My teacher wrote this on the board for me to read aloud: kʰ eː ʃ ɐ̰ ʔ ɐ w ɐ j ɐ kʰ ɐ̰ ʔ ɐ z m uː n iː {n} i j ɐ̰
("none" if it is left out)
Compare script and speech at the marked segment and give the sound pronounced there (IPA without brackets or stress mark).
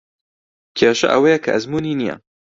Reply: n